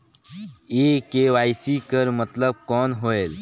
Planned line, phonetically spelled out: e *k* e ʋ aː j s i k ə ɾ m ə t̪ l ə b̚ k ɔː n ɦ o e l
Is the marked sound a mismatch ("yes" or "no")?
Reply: no